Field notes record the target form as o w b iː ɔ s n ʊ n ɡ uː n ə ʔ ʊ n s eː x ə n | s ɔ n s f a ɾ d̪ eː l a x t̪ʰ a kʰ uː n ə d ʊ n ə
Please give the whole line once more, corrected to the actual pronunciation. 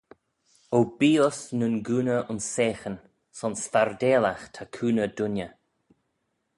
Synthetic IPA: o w b iː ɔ s n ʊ n ɡ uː n ə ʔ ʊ n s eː x ə n | s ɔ n s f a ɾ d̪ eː l a x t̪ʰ a kʰ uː n ə d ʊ n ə